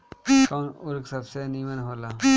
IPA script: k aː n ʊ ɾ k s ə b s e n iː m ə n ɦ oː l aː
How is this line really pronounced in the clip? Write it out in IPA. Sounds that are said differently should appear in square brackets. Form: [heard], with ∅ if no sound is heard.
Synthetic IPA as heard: k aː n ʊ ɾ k s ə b s e n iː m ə n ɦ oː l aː